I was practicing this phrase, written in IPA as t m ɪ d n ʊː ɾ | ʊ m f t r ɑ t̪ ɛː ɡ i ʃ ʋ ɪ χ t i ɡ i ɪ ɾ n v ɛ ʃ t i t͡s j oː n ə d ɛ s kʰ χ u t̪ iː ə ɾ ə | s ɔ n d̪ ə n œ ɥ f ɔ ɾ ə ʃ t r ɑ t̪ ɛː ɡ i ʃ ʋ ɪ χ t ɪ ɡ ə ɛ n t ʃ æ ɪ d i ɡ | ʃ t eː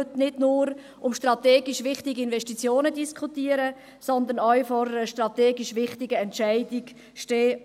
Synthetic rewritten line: t n ɪ d n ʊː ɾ | ʊ m ʃ t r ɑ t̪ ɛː ɡ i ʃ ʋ ɪ χ t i ɡ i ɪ n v ɛ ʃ t i t͡s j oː n ə d i s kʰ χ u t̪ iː ə ɾ ə | s ɔ n d̪ ə n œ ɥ f ɔ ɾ ə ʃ t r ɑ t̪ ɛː ɡ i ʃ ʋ ɪ χ t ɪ ɡ ə ɛ n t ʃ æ ɪ d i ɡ | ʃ t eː